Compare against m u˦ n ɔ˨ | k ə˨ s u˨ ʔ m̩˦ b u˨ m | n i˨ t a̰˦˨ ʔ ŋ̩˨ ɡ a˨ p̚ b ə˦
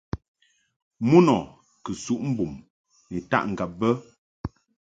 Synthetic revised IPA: m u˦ n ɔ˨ | k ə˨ s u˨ ʔ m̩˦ b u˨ m | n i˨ t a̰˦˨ ʔ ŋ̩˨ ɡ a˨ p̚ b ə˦